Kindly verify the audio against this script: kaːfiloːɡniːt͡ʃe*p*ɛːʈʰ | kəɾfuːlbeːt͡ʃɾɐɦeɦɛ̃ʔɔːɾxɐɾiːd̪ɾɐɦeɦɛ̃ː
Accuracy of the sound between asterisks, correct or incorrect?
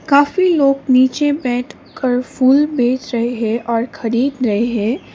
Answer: incorrect